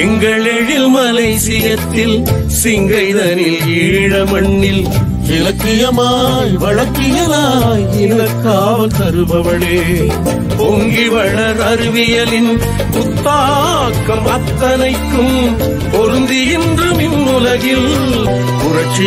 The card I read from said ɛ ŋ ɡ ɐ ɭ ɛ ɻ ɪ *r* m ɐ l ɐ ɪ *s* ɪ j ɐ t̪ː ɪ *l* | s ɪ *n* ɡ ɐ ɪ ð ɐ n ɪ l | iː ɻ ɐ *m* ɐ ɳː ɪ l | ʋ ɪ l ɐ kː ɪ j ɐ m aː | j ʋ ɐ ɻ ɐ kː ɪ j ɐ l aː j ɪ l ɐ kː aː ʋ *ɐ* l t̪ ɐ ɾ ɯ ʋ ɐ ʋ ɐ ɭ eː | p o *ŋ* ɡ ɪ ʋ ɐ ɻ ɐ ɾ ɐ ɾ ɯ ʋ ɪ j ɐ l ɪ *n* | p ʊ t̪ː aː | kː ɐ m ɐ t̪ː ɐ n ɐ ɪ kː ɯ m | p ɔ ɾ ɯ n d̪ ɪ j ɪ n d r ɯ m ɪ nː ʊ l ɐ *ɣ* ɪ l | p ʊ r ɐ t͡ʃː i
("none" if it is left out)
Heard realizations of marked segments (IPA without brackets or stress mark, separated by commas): l, s, l, ŋ, m, ɐ, ŋ, n, ɣ